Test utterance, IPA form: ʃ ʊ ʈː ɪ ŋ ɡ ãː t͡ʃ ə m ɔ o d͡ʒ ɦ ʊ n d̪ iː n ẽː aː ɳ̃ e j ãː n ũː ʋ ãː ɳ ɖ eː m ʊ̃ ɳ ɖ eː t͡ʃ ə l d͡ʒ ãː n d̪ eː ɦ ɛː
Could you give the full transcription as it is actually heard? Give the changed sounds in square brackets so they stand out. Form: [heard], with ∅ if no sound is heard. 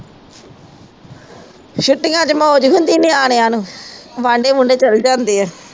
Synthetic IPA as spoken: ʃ ʊ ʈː ɪ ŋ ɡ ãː t͡ʃ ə m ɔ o d͡ʒ ɦ ʊ n d̪ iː n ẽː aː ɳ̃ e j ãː n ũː ʋ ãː ɳ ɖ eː m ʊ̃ ɳ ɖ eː t͡ʃ ə l d͡ʒ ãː n d̪ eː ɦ ɛː

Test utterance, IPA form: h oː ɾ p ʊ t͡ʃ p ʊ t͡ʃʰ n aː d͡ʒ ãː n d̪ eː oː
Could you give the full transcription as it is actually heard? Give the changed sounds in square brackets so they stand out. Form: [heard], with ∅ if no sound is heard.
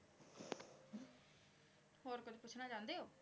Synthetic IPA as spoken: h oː ɾ [k] ʊ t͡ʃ p ʊ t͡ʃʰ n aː d͡ʒ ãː n d̪ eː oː

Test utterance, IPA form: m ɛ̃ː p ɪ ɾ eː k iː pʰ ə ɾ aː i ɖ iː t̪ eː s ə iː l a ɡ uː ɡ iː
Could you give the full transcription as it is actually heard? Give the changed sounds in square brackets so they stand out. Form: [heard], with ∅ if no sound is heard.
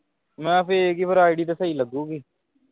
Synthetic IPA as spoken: m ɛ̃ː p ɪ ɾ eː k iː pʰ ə ɾ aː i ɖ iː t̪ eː s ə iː l [ə] ɡ uː ɡ iː

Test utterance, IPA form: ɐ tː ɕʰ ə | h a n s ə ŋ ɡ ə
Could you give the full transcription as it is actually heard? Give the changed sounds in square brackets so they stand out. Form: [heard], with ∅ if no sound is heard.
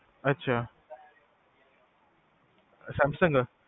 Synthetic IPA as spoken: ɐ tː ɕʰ [a] | [s] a [m] s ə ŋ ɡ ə

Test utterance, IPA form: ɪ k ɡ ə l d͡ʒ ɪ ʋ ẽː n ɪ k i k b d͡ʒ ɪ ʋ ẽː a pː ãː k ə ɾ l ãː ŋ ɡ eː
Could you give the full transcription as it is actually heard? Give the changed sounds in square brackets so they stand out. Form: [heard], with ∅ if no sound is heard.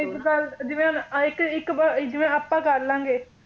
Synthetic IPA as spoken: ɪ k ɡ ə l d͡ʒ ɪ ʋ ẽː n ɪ k [ɪ] k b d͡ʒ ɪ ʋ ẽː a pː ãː k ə ɾ l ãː ŋ ɡ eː

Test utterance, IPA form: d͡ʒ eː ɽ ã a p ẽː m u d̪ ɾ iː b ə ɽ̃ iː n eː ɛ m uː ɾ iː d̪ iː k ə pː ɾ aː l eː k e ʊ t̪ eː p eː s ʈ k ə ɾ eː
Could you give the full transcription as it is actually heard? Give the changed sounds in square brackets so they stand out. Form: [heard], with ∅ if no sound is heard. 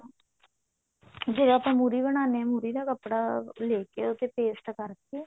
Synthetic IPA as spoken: d͡ʒ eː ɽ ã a p [ãː] m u [∅] ɾ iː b ə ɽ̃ [aː] n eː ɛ m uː ɾ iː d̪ [aː] k ə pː [ɽ] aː l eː k e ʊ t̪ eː p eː s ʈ k ə ɾ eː

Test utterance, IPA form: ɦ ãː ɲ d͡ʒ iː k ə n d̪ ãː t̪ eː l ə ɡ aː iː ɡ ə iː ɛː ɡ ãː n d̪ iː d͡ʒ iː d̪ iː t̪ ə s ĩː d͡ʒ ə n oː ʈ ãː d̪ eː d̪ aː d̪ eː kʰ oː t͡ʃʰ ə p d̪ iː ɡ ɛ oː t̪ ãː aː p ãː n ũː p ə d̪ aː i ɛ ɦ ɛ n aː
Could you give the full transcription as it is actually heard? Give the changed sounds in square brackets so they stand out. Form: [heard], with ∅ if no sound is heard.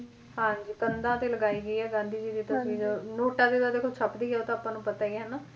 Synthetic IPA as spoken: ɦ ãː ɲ d͡ʒ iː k ə n d̪ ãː t̪ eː l ə ɡ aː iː ɡ ə iː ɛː ɡ ãː n d̪ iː d͡ʒ iː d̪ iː t̪ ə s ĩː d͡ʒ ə n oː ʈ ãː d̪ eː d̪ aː d̪ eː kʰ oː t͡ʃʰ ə p d̪ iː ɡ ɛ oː t̪ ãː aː p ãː n ũː p ə [t̪] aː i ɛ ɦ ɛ n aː

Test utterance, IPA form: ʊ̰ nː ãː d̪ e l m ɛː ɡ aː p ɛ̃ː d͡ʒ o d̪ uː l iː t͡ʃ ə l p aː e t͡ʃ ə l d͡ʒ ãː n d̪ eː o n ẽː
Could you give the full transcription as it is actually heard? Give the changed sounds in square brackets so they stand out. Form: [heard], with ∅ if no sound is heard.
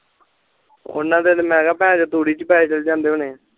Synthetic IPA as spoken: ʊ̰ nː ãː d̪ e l m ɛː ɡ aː p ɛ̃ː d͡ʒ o [t̪] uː [ɽ] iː t͡ʃ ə [∅] p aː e t͡ʃ ə l d͡ʒ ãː n d̪ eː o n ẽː

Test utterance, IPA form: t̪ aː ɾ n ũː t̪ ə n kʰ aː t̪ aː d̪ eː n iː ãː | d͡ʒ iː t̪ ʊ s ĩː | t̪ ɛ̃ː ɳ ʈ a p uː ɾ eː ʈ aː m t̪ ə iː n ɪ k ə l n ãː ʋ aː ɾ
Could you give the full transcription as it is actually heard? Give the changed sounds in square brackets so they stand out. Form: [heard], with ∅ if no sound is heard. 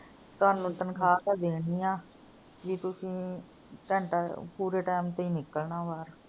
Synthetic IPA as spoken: t̪ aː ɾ n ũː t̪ ə n kʰ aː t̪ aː d̪ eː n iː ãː | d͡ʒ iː t̪ ʊ s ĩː | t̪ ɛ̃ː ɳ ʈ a p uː ɾ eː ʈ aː m t̪ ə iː n ɪ k ə l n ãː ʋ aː ɾ

